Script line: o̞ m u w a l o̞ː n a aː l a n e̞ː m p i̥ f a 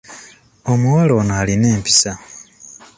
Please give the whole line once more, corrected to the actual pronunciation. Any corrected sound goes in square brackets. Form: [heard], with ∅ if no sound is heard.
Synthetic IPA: o̞ m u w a l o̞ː n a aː l [i] n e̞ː m p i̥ [s] a